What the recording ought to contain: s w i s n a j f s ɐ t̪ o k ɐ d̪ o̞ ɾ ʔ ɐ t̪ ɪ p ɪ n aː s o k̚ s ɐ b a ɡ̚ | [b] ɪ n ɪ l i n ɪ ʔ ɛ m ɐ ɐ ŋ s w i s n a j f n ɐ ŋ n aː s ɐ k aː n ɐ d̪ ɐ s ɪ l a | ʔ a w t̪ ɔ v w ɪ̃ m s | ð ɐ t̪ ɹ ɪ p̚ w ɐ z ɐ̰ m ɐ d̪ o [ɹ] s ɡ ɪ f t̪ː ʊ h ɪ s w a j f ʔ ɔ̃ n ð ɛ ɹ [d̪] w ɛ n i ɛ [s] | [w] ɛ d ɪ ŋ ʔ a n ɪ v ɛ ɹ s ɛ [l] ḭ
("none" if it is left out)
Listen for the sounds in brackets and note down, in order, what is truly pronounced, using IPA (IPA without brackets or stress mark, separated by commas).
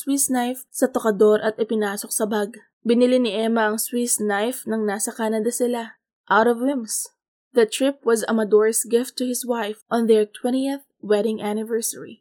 b, ɹ, t̪, θ, w, ɹ